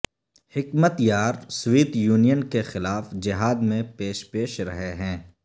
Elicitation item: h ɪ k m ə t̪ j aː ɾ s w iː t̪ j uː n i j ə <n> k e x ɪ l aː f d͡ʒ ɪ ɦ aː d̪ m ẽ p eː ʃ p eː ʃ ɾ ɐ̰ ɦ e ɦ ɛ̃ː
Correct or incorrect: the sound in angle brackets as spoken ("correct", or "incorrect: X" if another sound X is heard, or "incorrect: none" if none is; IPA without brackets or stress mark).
correct